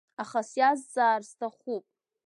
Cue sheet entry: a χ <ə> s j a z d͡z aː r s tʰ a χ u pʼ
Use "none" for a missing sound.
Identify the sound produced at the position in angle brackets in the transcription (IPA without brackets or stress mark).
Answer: a